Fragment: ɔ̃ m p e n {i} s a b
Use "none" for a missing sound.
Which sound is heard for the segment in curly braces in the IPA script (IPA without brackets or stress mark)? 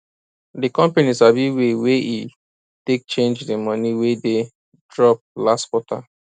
i